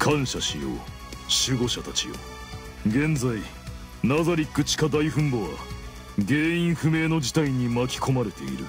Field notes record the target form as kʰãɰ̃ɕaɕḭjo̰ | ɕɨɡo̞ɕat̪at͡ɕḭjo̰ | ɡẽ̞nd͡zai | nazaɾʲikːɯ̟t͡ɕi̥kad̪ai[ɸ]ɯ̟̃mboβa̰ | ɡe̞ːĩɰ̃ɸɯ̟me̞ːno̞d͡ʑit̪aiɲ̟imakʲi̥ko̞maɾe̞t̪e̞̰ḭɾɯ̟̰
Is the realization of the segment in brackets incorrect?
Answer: no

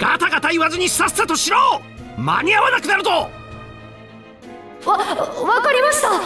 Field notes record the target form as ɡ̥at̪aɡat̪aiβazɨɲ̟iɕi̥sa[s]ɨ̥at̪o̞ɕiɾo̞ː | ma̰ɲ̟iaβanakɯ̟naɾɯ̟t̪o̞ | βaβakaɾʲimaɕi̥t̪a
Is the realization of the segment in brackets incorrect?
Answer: no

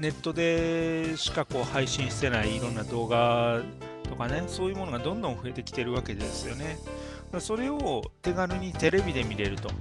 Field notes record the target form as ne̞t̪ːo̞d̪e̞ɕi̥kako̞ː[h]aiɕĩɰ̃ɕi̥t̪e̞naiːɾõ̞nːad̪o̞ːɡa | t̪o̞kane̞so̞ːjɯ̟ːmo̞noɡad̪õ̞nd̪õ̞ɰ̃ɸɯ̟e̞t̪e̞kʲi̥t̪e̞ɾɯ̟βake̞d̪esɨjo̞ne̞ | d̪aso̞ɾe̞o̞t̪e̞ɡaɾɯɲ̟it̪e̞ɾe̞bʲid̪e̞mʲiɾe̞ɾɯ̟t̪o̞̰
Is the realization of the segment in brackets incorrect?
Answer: no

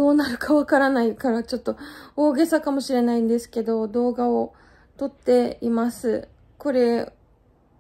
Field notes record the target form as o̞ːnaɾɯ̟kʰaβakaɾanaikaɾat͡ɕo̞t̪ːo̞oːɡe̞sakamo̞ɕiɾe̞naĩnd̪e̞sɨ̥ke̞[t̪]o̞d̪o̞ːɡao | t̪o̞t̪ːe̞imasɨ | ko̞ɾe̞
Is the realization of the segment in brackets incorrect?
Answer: yes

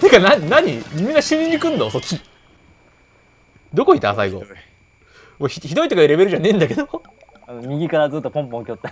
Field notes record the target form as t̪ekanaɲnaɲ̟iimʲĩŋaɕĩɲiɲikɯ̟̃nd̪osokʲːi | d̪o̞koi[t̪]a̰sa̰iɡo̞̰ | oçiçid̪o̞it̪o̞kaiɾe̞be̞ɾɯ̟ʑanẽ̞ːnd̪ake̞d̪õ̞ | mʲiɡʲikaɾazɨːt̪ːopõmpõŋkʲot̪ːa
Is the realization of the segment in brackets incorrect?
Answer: no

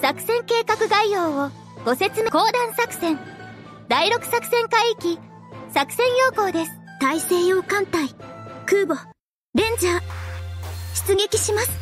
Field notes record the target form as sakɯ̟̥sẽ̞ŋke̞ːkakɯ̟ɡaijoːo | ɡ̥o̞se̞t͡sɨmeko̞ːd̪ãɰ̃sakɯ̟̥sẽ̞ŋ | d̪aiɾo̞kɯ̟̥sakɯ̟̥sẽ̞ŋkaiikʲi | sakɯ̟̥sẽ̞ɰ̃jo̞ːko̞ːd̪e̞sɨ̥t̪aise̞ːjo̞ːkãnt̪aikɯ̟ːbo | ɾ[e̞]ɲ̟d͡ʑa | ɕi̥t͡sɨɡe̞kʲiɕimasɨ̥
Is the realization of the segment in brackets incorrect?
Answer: yes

